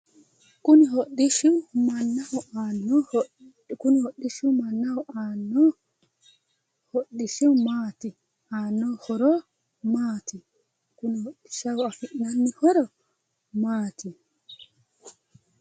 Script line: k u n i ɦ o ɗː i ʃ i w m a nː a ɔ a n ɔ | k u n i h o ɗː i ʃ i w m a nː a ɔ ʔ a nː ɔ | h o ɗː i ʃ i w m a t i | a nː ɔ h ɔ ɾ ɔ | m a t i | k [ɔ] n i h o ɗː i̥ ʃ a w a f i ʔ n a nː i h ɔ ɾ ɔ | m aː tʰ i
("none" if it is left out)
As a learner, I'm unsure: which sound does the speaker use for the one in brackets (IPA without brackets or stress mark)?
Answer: u